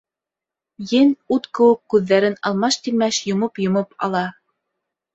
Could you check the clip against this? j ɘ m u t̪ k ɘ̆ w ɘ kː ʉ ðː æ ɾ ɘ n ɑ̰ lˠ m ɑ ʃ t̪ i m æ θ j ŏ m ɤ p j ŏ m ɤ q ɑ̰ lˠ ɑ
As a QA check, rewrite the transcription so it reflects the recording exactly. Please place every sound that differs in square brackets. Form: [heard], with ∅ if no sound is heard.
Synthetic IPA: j ɘ [n] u t̪ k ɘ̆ w ɘ kː ʉ ðː æ ɾ ɘ n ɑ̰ lˠ m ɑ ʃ t̪ i m æ [ʃ] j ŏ m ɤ p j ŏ m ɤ [p] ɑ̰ lˠ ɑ